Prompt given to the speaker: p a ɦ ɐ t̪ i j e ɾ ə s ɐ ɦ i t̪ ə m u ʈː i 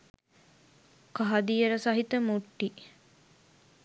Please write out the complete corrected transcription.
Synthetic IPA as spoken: k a ɦ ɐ d̪ i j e ɾ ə s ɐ ɦ i t̪ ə m u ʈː i